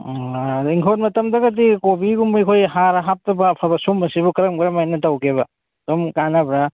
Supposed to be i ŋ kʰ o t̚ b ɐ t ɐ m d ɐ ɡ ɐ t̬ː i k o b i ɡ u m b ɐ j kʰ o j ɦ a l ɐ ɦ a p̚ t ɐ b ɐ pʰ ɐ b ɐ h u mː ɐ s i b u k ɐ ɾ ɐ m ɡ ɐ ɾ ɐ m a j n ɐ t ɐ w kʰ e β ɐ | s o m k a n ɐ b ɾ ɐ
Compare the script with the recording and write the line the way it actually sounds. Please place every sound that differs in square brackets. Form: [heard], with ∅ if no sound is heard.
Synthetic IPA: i ŋ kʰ o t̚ [m] ɐ t ɐ m d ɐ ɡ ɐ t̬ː i k o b i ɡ u m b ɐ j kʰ o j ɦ a [ɾ] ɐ ɦ a p̚ t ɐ b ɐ pʰ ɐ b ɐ [s] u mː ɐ s i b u k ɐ ɾ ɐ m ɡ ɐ ɾ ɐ m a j n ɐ t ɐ w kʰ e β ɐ | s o m k a n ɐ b ɾ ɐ